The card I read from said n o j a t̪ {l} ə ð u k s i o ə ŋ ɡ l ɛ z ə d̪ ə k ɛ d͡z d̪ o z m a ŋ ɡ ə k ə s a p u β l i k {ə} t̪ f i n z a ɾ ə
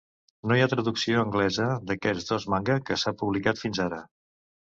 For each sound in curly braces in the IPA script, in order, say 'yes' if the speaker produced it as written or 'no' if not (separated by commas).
no, no